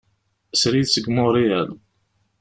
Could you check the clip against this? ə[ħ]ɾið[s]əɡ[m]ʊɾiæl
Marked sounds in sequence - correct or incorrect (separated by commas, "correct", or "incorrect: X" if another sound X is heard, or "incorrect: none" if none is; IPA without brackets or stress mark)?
incorrect: s, correct, correct